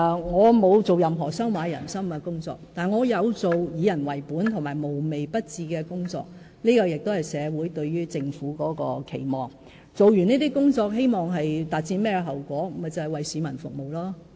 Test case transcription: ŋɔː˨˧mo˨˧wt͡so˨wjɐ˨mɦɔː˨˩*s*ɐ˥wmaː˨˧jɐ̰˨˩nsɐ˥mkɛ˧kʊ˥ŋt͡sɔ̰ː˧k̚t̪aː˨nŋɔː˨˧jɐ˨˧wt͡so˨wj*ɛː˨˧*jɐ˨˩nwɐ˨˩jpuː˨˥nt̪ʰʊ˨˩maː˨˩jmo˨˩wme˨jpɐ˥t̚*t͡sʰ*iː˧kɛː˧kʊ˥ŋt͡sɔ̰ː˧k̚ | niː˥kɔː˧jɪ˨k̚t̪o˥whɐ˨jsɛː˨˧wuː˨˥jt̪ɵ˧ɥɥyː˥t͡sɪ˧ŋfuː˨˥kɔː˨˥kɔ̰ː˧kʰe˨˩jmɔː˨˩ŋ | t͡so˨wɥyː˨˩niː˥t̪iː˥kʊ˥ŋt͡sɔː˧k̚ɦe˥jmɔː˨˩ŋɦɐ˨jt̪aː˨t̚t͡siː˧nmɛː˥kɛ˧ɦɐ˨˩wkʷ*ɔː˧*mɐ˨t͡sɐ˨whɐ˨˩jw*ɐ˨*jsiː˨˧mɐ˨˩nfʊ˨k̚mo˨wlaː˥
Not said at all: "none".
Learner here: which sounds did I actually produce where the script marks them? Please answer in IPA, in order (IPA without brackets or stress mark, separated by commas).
s, iː˨˧, t͡s, ɔː˨˥, ɐ˨